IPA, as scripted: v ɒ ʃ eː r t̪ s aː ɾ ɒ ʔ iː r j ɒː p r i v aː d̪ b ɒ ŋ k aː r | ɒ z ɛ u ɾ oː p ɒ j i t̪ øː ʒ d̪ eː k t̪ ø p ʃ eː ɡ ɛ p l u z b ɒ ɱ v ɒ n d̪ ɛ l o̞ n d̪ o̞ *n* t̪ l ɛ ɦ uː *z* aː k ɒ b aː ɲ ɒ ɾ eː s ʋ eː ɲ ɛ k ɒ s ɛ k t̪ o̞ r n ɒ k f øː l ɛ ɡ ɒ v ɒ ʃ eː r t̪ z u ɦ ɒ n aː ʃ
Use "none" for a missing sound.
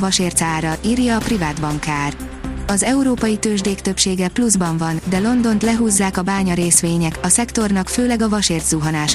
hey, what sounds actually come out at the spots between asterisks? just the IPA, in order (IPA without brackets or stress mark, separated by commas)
n, zː